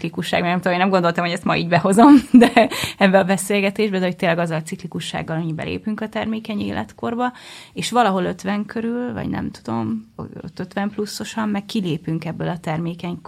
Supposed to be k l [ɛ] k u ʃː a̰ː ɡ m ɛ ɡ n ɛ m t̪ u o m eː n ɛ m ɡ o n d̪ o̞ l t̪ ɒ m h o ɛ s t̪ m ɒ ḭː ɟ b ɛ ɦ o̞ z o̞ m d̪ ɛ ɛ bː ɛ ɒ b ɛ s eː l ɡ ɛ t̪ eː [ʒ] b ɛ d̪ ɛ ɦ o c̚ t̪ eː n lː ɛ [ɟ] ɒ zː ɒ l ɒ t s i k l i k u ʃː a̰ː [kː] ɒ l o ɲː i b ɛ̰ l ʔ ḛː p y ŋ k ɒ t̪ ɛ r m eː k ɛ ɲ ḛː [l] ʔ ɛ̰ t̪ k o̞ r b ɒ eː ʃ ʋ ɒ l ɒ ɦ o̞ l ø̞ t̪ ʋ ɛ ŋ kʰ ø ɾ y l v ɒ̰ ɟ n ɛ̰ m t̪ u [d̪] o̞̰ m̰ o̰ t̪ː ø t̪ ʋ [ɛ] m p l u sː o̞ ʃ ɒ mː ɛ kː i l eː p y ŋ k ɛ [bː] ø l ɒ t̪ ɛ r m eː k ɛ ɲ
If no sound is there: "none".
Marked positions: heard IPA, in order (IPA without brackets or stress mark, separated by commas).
i, ʒ, ɡ, ɡː, l, d̪, ɛ, bː